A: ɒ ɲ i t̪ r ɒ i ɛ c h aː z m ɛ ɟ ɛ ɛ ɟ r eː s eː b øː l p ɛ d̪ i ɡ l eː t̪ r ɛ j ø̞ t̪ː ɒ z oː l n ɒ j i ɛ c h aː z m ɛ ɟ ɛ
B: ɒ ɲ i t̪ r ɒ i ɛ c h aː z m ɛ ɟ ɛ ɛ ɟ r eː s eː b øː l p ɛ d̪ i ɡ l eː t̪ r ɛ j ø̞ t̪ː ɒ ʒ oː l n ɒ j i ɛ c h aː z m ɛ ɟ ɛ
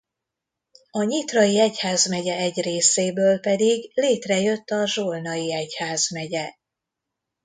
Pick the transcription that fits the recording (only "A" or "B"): B